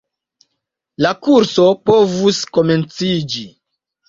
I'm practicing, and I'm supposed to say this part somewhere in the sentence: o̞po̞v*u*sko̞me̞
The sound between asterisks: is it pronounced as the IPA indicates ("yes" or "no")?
yes